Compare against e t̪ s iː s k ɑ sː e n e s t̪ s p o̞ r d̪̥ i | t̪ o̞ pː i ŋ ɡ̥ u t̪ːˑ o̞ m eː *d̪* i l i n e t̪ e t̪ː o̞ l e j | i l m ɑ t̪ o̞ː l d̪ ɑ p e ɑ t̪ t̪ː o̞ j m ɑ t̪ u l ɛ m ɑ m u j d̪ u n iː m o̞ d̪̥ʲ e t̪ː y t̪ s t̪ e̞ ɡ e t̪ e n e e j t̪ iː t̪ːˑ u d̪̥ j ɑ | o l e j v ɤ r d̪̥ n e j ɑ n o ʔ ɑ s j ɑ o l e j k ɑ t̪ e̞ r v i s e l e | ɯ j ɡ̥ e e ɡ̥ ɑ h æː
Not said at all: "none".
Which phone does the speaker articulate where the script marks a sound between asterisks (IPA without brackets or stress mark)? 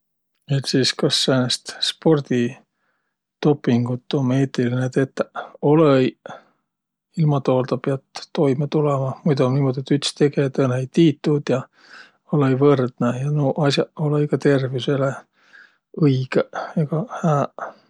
t̪